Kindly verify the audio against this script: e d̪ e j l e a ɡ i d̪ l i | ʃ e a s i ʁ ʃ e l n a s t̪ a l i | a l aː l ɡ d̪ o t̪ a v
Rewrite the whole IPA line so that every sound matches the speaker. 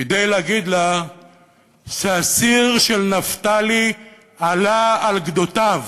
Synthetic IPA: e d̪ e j l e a ɡ i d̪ l a | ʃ e a s i ʁ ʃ e l n a f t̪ a l i | a l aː l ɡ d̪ o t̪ a v